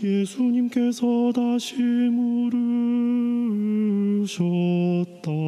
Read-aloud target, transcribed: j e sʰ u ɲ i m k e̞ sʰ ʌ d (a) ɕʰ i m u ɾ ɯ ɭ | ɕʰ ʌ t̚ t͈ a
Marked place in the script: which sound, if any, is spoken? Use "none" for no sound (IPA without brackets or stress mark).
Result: a